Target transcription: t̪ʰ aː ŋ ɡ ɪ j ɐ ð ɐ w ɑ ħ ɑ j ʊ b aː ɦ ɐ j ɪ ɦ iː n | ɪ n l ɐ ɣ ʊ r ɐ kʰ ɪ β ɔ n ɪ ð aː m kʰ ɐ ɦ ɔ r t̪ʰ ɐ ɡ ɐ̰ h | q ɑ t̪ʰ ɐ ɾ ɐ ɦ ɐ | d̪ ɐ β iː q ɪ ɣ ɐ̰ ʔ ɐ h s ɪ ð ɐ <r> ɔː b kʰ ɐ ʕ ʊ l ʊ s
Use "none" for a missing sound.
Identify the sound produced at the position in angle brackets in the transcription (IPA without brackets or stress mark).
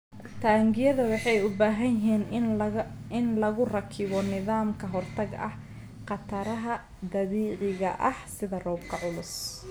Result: r